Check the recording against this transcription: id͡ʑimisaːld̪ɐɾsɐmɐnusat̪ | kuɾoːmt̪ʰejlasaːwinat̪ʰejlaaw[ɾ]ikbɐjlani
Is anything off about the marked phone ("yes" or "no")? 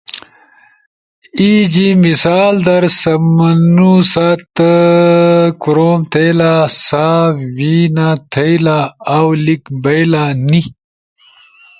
yes